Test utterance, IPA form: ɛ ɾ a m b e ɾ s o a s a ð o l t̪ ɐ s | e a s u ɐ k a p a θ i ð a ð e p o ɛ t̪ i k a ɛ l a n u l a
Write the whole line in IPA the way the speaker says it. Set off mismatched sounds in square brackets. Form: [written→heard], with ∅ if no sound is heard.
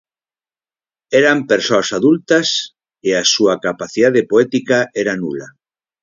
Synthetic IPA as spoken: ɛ ɾ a m [b→p] e ɾ s o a s a ð [o→u] l t̪ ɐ s | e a s u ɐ k a p a θ i ð a ð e p o ɛ t̪ i k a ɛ [l→ɾ] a n u l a